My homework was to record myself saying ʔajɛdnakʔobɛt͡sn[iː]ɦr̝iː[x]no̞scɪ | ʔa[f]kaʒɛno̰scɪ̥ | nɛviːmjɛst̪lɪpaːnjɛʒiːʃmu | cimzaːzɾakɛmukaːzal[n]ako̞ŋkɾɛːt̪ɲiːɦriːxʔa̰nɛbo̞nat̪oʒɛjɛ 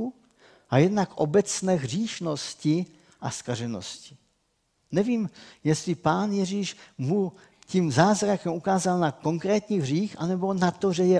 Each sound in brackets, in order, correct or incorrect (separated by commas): incorrect, incorrect, incorrect, correct